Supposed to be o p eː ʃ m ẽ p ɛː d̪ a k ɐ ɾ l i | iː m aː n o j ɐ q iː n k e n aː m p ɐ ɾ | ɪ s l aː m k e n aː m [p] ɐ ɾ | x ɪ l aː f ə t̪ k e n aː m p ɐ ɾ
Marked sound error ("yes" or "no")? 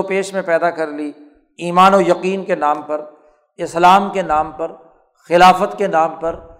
no